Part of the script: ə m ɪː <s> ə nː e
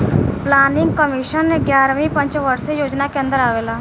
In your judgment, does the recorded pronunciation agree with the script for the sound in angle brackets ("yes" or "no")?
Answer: no